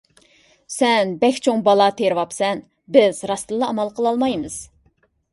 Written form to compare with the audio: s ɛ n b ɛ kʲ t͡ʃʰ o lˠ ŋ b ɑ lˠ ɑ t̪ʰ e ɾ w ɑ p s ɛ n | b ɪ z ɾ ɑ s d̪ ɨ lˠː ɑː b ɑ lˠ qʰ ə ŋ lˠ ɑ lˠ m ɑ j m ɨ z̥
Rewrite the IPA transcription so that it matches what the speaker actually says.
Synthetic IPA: s ɛ n b ɛ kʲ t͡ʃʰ o ŋ b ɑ lˠ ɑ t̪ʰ e ɾ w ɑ p s ɛ n | b ɪ z ɾ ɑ s t̪ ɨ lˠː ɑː m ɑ lˠ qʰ ə lˠ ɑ lˠ m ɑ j m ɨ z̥

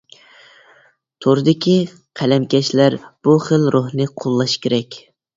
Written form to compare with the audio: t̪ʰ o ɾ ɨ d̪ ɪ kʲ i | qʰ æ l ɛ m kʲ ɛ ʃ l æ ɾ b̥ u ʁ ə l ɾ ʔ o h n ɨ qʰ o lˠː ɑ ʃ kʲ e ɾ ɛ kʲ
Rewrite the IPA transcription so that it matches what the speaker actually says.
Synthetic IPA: t̪ʰ o ɾ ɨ d̪ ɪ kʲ i | qʰ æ l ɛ m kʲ ɛ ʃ l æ ɾ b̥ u χ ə l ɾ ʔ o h n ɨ qʰ o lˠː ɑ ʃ kʲ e ɾ ɛ kʲ

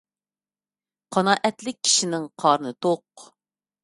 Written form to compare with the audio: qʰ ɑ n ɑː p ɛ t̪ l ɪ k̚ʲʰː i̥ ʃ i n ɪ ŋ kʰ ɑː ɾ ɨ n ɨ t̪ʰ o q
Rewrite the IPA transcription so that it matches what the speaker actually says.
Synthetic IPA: qʰ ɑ n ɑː ʔ ɛ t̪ l ɪ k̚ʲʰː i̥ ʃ i n ɪ ŋ qʰ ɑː ɾ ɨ n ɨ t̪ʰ o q

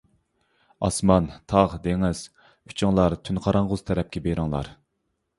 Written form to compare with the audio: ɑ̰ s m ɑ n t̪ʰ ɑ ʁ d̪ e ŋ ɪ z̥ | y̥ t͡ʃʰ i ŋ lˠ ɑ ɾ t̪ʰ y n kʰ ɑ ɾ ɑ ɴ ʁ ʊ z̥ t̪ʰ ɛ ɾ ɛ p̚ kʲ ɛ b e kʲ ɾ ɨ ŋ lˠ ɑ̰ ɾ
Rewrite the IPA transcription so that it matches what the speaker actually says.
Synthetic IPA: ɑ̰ s m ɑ n t̪ʰ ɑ ʁ d̪ e ŋ ɪ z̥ | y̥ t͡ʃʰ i ŋ lˠ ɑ ɾ t̪ʰ y n qʰ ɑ ɾ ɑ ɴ ʁ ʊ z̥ t̪ʰ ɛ ɾ ɛ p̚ kʲ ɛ b e ɾ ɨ ŋ lˠ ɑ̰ ɾ

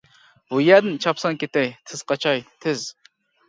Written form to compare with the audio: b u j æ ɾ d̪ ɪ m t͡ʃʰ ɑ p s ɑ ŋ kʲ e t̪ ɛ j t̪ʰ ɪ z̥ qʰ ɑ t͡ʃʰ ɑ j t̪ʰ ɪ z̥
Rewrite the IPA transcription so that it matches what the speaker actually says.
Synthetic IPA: b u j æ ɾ d̪ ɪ n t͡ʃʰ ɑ p s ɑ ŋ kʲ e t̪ ɛ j t̪ʰ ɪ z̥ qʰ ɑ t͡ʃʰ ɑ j t̪ʰ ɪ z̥

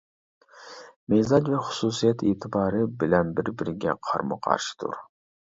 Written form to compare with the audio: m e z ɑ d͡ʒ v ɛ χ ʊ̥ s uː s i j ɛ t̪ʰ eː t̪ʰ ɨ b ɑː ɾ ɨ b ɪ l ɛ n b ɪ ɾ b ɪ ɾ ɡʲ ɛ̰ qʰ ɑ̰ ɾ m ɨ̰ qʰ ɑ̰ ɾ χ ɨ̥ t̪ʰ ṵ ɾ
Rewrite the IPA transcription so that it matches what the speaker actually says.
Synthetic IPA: m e z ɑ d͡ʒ v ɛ χ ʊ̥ s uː s i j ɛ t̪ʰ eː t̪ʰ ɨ b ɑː ɾ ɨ b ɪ l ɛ n b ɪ ɾ b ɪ ɾ ɡʲ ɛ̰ qʰ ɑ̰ ɾ m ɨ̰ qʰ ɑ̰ ɾ ʃ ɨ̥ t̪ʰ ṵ ɾ

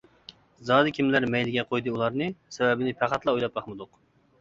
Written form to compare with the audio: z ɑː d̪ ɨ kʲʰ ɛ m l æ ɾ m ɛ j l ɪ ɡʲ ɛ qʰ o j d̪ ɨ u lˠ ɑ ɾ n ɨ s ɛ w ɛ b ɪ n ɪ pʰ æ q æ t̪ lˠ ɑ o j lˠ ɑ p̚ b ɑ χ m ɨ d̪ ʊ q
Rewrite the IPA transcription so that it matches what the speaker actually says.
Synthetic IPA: z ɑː d̪ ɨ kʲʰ i m l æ ɾ m ɛ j l ɪ ɡʲ ɛ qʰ o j d̪ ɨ u lˠ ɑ ɾ n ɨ s ɛ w ɛ b ɪ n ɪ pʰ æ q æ t̪ lˠ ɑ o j lˠ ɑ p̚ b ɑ χ m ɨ d̪ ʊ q

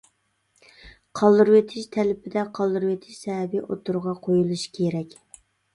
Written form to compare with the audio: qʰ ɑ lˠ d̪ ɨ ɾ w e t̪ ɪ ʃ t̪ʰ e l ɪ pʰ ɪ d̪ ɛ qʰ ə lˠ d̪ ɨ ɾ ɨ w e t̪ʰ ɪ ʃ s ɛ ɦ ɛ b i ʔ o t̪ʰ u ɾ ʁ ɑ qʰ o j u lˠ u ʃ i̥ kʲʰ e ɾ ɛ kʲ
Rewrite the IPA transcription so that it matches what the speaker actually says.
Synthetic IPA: qʰ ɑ lˠ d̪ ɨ ɾ w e t̪ʰ ɪ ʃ t̪ʰ ɛ l ɪ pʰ ɪ d̪ ɛ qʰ ɑ lˠ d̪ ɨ ɾ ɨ w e t̪ʰ ɪ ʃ s ɛ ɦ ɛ b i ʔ o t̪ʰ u ɾ ʁ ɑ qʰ o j u lˠ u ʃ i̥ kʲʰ e ɾ ɛ kʲ

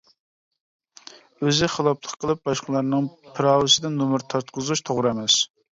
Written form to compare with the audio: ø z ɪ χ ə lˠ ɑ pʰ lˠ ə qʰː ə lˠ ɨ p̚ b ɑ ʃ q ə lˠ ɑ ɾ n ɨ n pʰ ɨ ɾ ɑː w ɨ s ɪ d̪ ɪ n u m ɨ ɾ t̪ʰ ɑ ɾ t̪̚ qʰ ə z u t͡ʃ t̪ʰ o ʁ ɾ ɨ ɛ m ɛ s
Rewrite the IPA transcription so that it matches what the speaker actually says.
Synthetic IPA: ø z ɪ χ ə lˠ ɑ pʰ lˠ ə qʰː ə lˠ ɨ p̚ b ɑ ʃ q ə lˠ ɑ ɾ n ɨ ŋ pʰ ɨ ɾ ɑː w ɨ s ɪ d̪ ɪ n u m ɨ ɾ t̪ʰ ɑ ɾ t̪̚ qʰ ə z u t͡ʃ t̪ʰ o ʁ ɾ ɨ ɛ m ɛ s

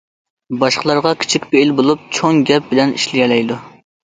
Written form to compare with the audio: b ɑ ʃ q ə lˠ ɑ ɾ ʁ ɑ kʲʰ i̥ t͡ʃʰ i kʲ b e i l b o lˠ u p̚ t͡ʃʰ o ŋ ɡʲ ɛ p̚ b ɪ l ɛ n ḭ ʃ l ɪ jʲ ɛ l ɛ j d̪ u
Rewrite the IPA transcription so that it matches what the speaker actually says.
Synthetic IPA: b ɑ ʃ q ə lˠ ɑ ɾ ʁ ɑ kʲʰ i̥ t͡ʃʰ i kʲ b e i l b o lˠ u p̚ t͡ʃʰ o ŋ ɡʲ ɛ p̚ b ɪ l ɛ n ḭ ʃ l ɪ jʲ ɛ l ɛ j d̪ u

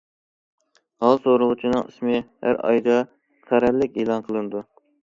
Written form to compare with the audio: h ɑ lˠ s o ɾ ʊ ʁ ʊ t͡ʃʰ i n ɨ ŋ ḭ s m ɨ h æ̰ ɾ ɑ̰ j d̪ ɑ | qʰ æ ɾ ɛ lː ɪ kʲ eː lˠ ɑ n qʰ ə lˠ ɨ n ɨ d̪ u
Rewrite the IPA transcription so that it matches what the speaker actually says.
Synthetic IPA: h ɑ lˠ s o ɾ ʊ ʁ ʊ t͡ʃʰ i n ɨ ŋ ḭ s m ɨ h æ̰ ɾ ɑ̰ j d̪ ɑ | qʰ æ ɾ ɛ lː ɪ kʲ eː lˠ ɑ n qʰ ə lˠ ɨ n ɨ d̪ u

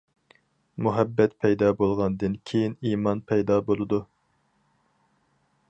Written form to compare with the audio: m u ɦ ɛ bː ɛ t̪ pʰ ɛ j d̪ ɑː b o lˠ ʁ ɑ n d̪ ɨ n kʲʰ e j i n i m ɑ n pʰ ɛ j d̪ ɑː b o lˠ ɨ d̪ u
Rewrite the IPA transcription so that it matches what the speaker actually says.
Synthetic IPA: m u ɦ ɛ bː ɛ t̪ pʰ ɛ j d̪ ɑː b o lˠ ʁ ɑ n d̪ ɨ n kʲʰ e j i n i m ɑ n pʰ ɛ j d̪ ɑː b o lˠ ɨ d̪ u

